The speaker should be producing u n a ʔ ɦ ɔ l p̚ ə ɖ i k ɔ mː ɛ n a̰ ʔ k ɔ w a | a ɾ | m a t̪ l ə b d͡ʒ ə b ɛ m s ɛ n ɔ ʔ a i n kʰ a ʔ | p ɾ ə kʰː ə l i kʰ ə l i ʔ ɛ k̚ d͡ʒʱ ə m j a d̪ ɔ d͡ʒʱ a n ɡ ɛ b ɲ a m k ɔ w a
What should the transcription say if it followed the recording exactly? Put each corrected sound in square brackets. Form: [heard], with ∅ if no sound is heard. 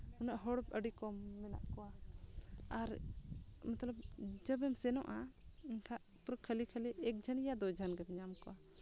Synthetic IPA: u n a ʔ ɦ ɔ [ɽ] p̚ ə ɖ i k ɔ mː ɛ n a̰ ʔ k ɔ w a | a ɾ | m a t̪ l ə b d͡ʒ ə b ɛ m s ɛ n ɔ ʔ a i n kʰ a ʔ | p ɾ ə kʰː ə l i kʰ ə l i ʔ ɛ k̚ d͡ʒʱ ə [n] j a d̪ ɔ d͡ʒʱ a n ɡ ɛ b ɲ a m k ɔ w a